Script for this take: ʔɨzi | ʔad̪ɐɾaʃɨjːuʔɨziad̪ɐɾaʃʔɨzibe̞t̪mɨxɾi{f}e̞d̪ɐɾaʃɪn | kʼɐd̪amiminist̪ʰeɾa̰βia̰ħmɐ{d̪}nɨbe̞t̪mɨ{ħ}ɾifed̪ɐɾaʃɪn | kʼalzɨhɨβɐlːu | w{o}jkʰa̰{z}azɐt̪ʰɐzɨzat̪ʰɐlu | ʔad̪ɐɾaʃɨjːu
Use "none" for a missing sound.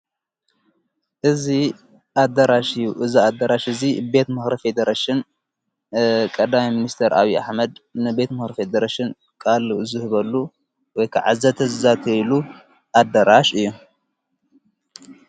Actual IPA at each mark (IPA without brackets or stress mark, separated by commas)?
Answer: f, d̪, x, ɔ, ʕ